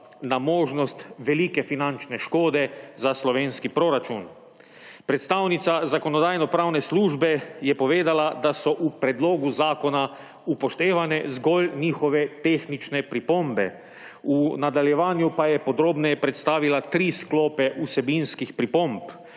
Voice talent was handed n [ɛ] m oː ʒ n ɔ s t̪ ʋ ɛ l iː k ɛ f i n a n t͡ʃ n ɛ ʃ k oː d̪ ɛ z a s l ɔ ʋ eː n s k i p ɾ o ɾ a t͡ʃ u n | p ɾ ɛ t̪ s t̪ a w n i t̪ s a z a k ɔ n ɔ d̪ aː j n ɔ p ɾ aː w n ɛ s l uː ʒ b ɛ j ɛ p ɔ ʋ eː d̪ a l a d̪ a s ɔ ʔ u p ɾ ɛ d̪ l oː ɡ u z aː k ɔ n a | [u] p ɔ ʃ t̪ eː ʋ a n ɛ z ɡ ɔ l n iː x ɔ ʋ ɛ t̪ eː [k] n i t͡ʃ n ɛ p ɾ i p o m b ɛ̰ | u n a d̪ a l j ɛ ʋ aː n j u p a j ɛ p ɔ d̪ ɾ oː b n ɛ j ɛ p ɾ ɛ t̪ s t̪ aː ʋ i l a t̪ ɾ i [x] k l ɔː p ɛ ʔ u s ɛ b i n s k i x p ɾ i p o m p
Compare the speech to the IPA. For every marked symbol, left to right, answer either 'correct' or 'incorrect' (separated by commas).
incorrect, correct, incorrect, incorrect